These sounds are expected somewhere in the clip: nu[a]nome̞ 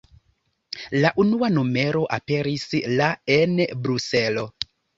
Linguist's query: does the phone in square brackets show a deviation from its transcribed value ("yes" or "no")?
no